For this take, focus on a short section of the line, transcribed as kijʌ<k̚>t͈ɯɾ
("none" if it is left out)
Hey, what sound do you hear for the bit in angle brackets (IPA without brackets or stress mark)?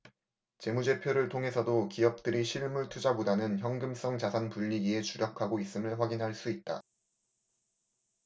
p̚